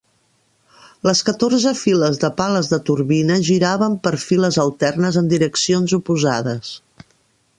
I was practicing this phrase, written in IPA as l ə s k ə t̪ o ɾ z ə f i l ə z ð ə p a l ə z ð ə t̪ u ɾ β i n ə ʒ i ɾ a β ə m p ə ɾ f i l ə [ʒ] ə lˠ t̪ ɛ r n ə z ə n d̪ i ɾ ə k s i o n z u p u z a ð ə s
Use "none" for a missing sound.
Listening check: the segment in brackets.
z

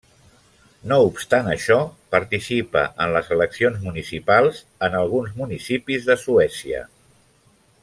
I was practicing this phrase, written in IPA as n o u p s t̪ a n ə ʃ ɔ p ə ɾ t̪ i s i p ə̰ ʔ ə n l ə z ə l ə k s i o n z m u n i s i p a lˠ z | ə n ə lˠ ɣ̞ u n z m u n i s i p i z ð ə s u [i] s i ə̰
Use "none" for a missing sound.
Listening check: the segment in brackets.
ɛ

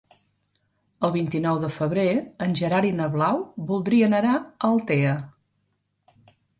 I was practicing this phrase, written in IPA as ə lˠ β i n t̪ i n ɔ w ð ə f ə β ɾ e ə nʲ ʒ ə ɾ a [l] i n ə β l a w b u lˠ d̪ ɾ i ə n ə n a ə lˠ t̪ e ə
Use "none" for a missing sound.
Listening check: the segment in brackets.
ɾ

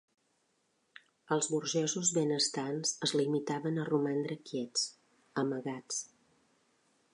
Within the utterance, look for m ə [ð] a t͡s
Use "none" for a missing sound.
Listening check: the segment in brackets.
ɣ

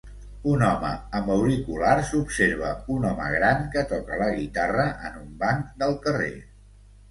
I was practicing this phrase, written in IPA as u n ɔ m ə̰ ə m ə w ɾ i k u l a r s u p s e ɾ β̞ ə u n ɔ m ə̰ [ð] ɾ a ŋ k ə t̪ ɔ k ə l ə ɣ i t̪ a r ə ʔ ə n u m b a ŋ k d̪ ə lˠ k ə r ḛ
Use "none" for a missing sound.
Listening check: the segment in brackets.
ɣ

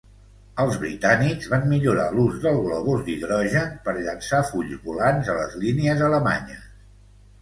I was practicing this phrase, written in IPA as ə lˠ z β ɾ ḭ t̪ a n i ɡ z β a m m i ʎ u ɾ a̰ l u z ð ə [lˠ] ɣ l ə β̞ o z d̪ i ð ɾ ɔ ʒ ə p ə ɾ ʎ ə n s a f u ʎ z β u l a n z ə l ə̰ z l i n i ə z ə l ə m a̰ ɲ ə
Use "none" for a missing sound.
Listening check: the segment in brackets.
lˠ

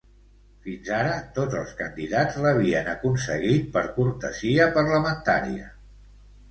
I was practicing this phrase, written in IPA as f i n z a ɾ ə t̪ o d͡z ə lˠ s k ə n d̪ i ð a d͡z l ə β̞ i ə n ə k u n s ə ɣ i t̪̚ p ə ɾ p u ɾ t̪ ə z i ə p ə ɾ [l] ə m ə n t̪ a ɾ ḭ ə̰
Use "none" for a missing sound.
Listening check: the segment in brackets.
l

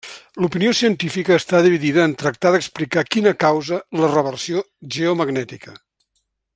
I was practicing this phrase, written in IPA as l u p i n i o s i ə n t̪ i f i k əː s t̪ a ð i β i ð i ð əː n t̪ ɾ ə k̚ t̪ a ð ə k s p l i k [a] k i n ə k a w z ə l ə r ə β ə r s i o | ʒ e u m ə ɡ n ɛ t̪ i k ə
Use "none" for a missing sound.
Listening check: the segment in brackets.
a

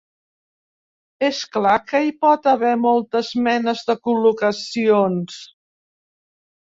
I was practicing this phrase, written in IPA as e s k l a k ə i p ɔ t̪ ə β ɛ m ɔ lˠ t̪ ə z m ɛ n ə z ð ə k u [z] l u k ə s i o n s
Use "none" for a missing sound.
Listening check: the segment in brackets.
none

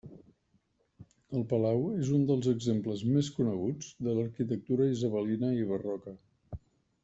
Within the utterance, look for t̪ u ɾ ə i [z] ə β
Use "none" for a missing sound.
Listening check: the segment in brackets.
z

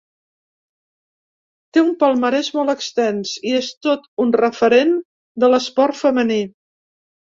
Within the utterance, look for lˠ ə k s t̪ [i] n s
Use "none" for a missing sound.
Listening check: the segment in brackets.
ɛ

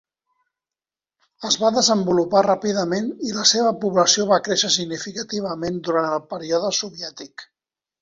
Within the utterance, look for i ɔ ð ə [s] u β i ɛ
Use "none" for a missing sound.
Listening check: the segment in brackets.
s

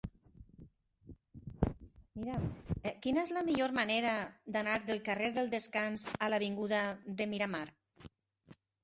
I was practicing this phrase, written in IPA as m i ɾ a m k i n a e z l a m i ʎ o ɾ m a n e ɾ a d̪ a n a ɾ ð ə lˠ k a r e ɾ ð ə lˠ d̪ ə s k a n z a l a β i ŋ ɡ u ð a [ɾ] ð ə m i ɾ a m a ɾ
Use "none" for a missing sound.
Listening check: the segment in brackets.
none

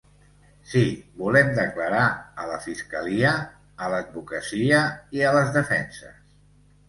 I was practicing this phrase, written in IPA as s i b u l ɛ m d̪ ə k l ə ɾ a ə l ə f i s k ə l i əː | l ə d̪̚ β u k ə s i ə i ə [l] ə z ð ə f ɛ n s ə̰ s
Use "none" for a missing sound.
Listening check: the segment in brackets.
l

